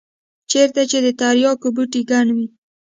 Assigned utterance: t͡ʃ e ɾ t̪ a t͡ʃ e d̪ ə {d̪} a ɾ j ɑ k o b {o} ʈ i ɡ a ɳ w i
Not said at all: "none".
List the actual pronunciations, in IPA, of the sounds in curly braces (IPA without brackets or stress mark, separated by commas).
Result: t̪, u